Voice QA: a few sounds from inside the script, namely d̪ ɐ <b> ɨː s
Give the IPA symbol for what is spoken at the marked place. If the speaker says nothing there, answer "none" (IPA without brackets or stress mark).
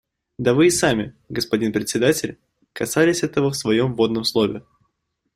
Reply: v